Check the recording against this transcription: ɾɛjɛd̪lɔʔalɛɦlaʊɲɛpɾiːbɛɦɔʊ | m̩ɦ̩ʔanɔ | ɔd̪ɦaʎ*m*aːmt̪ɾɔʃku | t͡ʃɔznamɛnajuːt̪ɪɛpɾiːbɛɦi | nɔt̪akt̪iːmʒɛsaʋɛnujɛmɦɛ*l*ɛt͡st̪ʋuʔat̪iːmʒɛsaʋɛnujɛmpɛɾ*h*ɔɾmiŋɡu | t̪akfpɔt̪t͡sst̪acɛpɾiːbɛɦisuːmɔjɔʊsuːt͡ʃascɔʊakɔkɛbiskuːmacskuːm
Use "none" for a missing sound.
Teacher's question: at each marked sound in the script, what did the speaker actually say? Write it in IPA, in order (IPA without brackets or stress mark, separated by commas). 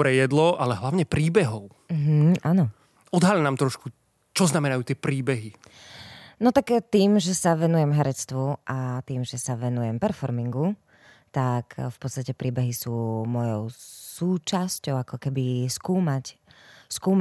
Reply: n, ɾ, f